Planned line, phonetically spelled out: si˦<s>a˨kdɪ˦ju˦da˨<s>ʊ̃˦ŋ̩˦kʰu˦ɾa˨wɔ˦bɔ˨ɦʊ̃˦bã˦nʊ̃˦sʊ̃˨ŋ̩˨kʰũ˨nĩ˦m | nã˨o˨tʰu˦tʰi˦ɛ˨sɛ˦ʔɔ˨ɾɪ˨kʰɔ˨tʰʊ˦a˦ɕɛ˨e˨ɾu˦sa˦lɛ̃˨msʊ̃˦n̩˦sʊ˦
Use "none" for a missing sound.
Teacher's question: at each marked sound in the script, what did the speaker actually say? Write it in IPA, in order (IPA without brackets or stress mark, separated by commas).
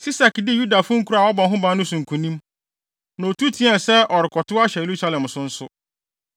s, f